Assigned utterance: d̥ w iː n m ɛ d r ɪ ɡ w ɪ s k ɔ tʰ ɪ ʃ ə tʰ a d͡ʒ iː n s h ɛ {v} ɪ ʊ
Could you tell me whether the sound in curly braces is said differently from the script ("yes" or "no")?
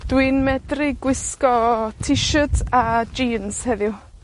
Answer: yes